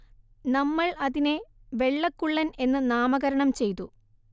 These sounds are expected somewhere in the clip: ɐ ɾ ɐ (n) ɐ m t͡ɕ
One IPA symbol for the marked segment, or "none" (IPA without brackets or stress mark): ɳ